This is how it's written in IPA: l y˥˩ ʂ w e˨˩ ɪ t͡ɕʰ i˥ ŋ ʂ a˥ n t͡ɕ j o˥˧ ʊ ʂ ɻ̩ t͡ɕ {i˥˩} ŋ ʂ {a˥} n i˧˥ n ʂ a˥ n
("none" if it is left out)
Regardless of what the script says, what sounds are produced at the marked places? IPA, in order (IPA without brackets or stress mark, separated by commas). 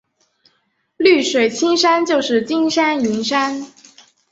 i˥, a˥